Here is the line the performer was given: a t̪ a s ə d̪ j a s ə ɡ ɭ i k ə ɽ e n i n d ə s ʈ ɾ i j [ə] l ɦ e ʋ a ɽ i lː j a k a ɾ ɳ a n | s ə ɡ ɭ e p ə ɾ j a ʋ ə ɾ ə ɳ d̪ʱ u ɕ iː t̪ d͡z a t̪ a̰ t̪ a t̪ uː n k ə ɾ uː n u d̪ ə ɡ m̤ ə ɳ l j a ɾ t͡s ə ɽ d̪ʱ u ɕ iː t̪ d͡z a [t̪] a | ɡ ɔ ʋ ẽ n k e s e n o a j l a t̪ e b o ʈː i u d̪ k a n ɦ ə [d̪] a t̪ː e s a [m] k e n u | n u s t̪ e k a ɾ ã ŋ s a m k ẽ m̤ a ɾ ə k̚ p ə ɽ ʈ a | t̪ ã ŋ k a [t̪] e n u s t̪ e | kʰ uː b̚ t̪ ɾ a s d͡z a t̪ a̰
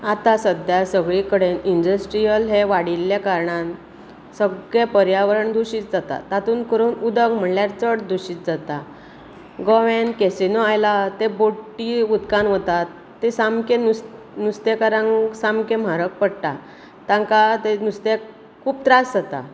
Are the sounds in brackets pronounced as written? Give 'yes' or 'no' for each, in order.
yes, yes, no, yes, yes

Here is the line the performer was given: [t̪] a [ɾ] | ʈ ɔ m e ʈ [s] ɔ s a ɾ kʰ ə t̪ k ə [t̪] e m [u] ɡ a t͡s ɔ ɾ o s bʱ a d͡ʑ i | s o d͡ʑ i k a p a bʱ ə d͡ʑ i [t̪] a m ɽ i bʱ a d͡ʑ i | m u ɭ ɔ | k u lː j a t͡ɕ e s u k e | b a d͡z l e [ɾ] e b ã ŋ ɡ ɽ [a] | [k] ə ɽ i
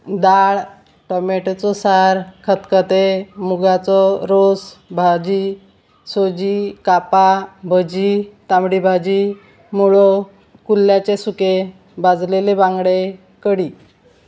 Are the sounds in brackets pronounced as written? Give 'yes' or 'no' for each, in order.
no, no, no, yes, yes, yes, no, no, yes

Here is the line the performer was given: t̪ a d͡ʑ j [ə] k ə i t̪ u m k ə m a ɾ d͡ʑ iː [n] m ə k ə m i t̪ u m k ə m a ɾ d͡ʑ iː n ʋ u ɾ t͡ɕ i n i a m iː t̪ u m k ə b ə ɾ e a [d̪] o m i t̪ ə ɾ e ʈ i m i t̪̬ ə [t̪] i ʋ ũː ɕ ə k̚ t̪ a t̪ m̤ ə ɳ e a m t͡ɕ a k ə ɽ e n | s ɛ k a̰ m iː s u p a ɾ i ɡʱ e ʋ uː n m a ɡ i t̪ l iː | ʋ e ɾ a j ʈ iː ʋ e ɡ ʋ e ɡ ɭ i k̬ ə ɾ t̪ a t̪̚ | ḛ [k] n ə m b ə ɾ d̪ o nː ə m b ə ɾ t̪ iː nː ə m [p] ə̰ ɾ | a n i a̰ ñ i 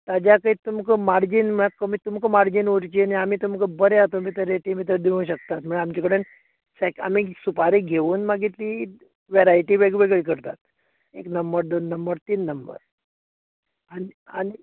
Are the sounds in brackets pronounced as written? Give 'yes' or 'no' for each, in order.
no, yes, no, no, yes, no

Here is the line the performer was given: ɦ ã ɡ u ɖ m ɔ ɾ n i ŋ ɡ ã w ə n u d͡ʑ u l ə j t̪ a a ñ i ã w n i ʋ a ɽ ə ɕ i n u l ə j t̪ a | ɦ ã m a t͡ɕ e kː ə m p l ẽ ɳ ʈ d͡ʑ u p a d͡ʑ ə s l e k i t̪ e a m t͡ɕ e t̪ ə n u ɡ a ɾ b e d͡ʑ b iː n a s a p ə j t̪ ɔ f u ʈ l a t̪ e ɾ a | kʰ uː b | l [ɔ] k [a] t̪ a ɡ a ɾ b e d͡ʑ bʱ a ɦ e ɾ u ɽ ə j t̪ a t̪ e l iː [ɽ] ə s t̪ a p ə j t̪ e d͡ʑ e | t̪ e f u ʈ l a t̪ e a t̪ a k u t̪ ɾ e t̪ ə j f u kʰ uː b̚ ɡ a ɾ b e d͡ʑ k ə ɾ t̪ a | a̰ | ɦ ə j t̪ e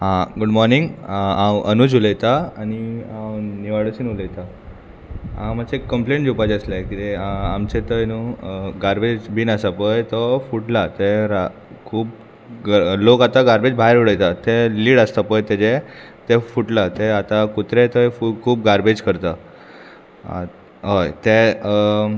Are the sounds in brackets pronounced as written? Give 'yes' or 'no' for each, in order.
no, yes, yes

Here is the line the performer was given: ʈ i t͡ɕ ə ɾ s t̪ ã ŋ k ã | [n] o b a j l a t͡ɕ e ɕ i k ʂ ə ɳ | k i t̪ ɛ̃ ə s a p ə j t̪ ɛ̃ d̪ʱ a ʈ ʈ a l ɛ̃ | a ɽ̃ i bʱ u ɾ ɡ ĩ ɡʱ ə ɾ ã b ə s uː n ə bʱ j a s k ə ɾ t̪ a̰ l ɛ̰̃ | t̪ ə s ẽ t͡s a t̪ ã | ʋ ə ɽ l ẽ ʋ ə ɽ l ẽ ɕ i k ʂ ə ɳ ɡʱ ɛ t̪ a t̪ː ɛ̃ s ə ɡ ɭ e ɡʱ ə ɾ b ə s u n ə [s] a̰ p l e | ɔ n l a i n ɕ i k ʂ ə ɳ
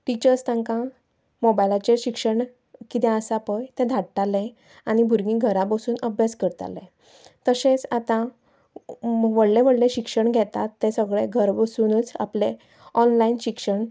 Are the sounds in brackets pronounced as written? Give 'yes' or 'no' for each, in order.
no, no

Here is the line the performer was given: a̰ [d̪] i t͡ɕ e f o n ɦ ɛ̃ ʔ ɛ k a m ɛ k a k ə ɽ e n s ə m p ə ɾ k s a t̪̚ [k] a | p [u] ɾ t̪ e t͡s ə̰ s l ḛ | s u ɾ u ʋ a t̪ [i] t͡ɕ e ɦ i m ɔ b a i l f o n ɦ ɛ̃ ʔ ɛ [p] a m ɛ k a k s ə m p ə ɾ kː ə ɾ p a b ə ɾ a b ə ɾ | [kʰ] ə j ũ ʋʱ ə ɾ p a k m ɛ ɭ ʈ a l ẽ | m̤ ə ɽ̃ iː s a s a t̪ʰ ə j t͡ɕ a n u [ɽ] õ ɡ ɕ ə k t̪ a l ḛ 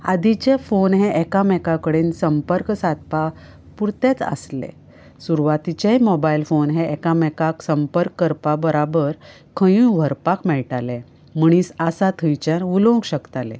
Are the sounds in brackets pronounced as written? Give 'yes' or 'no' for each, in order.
yes, no, yes, yes, no, yes, no

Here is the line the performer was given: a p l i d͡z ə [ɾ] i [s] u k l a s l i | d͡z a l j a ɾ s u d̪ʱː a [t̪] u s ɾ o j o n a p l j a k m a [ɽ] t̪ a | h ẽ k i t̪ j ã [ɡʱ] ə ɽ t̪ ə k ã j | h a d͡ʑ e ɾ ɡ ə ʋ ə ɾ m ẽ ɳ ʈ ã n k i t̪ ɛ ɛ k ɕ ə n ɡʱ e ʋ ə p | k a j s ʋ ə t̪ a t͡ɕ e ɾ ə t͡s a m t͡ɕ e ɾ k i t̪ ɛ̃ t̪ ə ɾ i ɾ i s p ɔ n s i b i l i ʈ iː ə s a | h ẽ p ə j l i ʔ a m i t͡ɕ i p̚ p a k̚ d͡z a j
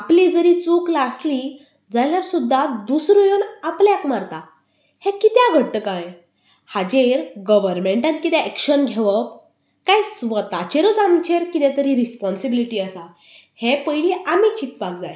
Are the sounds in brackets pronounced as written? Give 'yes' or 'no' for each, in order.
yes, no, no, no, yes

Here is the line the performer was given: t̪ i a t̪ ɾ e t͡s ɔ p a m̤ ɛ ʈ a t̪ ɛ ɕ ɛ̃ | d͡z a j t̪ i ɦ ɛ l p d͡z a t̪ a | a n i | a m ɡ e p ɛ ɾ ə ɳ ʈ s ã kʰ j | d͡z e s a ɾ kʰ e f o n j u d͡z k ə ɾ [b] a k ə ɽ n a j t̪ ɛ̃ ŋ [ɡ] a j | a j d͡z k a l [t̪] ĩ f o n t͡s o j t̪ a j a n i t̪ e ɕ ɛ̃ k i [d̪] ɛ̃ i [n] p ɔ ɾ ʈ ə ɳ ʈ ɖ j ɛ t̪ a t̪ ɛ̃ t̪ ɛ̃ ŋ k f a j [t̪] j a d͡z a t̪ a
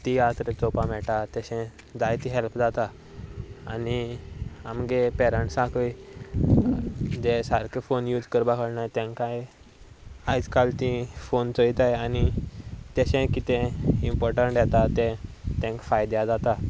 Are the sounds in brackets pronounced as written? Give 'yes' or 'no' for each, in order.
yes, no, yes, no, no, no

